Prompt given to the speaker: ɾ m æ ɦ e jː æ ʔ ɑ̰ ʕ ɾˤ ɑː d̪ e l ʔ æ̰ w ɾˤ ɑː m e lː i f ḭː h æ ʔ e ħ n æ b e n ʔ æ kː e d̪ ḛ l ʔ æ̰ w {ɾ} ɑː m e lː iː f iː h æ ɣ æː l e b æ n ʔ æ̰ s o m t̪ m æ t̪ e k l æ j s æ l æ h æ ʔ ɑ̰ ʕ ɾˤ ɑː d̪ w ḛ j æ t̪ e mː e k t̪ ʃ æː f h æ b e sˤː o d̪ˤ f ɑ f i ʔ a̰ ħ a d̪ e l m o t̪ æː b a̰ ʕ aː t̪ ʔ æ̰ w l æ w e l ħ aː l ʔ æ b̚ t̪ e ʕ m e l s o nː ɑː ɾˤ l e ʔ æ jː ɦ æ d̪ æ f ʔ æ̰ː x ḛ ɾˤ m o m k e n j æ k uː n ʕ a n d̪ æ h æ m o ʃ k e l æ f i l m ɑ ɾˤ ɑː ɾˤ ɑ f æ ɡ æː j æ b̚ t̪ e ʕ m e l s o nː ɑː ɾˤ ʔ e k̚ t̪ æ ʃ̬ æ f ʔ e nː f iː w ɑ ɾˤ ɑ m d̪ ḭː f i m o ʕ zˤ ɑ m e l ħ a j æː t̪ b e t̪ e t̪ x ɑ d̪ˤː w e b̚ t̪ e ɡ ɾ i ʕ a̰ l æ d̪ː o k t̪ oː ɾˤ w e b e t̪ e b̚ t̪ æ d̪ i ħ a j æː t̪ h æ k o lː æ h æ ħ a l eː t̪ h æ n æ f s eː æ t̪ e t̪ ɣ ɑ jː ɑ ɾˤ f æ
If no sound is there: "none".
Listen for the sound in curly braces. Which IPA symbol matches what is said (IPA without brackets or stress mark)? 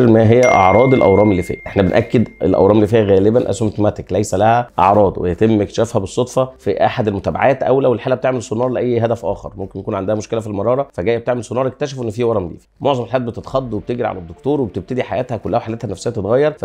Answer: ɾ